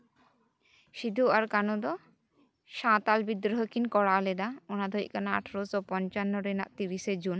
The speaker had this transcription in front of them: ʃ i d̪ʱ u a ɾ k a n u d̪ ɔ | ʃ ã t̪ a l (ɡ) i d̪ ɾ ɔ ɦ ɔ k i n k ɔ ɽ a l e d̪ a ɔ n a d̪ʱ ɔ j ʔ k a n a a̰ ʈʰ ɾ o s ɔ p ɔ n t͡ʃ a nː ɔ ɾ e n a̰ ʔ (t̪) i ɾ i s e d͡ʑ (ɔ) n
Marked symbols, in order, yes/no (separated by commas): no, yes, no